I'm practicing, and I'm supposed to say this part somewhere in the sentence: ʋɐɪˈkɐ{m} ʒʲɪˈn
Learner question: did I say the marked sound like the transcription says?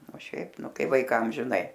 yes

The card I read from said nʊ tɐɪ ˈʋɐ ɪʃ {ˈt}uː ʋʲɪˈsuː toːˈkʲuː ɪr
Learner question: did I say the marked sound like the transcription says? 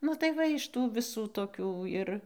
yes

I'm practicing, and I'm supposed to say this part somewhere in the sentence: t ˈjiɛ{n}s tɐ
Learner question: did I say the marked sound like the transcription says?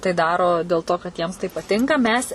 no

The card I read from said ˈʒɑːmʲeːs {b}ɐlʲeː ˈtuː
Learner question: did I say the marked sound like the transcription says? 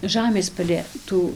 no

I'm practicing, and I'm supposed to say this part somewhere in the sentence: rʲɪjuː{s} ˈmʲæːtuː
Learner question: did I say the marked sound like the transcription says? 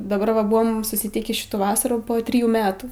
no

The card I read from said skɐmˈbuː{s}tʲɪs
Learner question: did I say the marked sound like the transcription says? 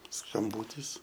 no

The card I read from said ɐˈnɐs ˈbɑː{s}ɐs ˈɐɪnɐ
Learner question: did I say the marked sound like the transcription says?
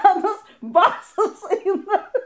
yes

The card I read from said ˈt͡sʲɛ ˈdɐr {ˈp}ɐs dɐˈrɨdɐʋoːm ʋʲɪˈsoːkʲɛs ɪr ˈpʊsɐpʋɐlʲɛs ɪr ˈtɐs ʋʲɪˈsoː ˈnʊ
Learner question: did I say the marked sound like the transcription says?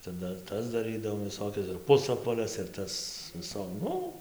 no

